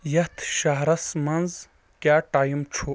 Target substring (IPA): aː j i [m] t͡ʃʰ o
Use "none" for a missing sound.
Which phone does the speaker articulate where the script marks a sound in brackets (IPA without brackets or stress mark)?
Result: m